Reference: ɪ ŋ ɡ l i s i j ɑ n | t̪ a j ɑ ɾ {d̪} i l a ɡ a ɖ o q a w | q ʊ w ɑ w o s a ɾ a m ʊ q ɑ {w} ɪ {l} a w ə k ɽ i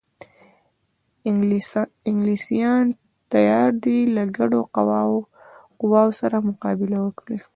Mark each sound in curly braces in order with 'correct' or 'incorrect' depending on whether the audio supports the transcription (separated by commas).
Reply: correct, incorrect, correct